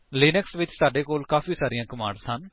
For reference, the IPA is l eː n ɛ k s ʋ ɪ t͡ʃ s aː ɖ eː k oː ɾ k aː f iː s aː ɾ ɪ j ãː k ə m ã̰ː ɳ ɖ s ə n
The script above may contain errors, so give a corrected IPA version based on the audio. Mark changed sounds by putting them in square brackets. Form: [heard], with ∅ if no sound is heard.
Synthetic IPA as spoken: l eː n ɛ k s ʋ ɪ t͡ʃ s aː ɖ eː k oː [l] k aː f iː s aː ɾ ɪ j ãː k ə m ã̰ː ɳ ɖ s ə n